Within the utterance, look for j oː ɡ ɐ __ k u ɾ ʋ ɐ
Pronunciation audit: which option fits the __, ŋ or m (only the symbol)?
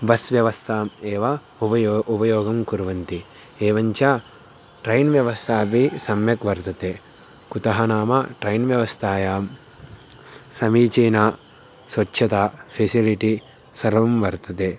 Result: m